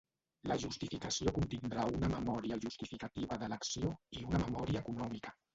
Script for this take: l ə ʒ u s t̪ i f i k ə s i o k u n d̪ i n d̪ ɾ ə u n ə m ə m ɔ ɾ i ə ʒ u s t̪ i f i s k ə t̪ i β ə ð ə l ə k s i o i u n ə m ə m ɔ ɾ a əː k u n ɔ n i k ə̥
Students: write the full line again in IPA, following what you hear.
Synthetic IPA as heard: l ə ʒ u s t̪ i f i k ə s i o k u n t̪ i n d̪ ɾ a u n ə m ə m ɔ ɾ i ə ʒ u s t̪ i f i k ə t̪ i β ə ð ə l ə k s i o i u n ə m ə m ɔ ɾ i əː k u n ɔ m i k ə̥